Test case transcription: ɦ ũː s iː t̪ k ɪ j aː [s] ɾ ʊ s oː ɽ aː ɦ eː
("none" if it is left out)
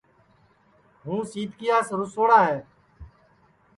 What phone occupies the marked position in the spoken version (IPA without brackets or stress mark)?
s